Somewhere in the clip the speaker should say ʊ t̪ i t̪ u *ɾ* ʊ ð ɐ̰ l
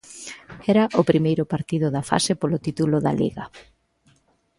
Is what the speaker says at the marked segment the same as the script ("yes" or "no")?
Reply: no